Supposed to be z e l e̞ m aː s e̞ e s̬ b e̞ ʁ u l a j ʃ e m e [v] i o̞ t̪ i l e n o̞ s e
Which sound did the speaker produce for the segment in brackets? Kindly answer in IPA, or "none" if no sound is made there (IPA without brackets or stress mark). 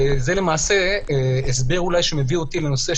v